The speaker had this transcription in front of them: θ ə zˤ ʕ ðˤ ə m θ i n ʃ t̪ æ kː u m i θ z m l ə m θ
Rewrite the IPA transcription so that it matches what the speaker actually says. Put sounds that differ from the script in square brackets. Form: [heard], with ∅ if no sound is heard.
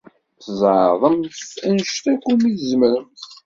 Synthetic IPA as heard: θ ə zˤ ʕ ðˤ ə m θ [æ] n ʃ t̪ æ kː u m i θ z m [ɾ] ə m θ